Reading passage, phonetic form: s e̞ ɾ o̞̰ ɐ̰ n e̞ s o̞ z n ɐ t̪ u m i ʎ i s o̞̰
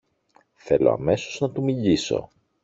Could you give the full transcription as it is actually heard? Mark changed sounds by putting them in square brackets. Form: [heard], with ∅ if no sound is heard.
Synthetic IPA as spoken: [θ] e̞ [l] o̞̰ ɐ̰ [m] e̞ s o̞ z n ɐ t̪ u m i ʎ i s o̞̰